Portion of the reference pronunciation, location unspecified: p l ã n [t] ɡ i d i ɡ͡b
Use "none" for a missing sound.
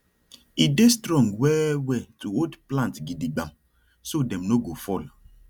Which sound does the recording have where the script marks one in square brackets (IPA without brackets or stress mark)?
t